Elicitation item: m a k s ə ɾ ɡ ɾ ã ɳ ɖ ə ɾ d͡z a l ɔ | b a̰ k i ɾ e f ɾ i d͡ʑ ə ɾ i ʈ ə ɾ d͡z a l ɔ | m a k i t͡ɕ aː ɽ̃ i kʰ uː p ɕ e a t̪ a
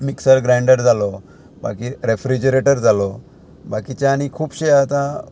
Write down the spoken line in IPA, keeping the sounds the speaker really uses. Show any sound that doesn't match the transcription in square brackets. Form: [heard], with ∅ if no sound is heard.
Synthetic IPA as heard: m [i] k s ə ɾ ɡ ɾ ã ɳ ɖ ə ɾ d͡z a l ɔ | b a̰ k i ɾ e f ɾ i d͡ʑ ə ɾ [e] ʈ ə ɾ d͡z a l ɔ | [b] a k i t͡ɕ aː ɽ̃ i kʰ uː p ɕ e a t̪ a